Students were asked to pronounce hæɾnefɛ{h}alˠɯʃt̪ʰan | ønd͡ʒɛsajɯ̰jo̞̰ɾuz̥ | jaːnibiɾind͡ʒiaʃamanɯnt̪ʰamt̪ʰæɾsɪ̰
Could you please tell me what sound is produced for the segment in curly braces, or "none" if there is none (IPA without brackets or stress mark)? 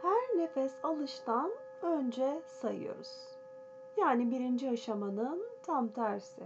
s